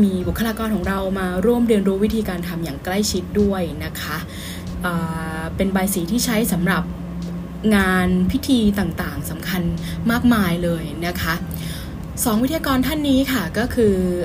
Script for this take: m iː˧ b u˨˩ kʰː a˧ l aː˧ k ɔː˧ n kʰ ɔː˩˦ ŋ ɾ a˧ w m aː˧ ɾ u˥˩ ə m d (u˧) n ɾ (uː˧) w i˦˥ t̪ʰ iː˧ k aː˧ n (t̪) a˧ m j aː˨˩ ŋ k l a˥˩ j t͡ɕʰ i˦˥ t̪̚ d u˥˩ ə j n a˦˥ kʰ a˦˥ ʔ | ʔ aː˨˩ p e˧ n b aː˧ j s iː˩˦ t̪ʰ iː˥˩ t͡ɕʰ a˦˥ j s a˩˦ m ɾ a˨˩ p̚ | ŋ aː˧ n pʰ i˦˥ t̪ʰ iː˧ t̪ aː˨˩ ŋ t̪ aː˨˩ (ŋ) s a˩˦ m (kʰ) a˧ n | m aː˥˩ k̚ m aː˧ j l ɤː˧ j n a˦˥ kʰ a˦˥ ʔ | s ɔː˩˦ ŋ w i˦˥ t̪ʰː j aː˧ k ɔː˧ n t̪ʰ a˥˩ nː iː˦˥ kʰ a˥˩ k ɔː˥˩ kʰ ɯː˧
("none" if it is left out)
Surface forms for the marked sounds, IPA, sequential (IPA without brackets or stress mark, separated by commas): ɯ˧, uː˦˥, t̪ʰ, ŋ, kʰ